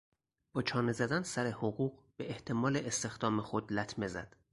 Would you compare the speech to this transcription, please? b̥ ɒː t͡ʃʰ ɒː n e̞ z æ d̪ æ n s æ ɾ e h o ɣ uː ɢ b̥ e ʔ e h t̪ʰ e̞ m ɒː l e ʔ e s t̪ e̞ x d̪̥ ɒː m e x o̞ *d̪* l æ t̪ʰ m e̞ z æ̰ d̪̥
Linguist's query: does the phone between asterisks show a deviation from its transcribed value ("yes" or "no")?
no